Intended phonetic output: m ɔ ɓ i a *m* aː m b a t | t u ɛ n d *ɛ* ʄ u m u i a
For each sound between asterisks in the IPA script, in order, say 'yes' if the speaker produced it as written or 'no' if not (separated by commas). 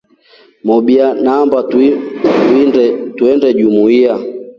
no, yes